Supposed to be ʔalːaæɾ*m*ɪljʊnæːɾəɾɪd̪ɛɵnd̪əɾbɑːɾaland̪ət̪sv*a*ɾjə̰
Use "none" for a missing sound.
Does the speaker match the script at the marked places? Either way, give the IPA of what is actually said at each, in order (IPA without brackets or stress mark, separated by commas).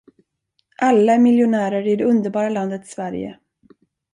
m, æ